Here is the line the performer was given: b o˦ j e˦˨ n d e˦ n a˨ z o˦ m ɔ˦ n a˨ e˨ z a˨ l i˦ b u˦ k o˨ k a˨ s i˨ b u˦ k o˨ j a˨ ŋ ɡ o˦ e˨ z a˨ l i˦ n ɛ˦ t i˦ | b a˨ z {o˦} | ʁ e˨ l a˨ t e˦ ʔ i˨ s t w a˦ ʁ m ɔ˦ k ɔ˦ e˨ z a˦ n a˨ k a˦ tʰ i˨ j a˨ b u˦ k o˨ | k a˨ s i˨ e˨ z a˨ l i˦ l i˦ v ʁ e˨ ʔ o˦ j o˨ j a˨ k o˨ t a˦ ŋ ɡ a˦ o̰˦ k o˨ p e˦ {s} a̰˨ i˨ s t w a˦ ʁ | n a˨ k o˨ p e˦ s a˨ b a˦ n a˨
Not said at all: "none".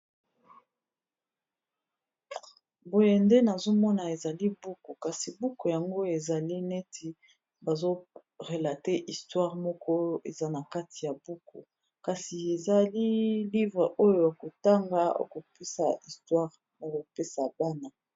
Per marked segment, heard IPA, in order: o˦, s

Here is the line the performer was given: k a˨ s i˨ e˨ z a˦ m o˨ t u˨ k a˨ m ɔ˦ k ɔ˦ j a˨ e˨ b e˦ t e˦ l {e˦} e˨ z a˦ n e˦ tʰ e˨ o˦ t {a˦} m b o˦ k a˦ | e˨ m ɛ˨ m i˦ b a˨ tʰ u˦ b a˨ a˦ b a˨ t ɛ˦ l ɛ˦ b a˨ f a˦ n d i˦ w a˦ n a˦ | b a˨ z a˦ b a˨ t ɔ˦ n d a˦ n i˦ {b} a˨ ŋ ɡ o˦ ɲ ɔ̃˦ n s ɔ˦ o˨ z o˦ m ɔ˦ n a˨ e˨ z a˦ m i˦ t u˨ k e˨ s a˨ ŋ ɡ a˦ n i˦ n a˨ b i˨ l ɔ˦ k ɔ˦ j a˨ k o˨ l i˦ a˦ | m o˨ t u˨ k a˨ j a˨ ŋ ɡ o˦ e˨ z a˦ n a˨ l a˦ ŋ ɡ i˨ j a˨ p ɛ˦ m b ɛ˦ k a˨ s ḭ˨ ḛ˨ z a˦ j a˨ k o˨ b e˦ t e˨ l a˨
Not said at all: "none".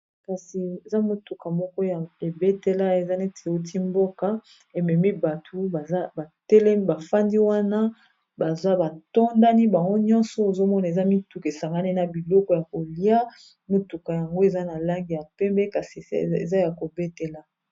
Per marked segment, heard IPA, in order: a˦, i˦, b

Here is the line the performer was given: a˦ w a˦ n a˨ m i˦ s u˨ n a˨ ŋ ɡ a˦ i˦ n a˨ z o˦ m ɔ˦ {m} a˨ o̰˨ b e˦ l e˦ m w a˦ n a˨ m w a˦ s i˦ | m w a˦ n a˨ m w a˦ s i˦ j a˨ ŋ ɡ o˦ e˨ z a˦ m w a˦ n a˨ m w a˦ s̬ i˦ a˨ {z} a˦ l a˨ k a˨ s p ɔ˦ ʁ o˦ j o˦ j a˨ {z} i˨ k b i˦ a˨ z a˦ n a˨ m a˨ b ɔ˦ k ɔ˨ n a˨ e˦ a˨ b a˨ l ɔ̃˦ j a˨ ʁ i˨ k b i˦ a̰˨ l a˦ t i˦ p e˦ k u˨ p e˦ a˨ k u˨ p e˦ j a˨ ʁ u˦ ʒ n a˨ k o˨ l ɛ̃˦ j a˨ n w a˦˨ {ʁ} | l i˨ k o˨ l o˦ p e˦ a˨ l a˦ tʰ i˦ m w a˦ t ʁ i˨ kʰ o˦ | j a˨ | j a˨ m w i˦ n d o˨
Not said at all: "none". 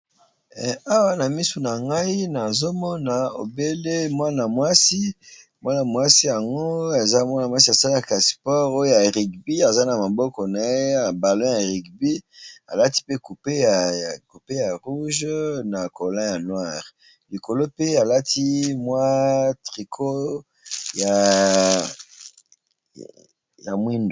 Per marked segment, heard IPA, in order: n, s, ʁ, ʁ

